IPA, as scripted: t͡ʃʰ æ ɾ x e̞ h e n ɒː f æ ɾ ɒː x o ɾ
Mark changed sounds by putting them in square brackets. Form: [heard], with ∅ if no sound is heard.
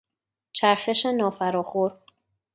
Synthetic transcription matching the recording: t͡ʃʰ æ ɾ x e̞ [ʃ] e n ɒː f æ ɾ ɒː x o ɾ